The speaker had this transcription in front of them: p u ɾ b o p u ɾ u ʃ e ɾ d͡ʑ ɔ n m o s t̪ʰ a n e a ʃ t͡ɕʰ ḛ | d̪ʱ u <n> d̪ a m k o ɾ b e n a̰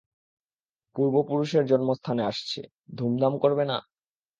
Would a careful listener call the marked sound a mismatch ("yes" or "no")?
yes